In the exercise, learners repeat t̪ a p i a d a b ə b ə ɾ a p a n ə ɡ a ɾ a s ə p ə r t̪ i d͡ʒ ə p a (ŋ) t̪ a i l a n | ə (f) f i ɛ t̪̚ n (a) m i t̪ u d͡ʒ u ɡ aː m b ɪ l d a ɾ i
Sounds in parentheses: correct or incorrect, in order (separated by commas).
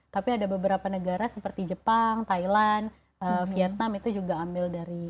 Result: correct, correct, correct